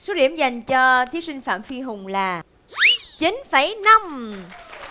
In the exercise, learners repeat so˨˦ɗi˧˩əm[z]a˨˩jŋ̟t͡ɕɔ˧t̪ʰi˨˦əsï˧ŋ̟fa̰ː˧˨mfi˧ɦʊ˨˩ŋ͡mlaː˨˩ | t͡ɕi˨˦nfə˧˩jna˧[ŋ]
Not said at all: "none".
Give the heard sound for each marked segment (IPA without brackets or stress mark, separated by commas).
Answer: z, m